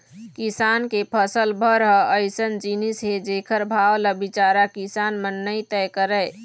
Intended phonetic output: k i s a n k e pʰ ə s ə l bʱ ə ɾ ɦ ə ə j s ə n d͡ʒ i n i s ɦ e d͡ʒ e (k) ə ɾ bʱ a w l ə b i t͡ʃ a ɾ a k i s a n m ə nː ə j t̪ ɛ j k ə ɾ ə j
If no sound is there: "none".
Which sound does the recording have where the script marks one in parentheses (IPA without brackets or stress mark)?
kʰ